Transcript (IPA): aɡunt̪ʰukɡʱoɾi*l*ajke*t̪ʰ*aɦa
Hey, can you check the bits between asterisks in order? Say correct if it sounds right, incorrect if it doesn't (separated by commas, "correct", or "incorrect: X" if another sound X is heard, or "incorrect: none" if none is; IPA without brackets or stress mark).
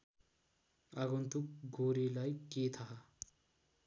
correct, correct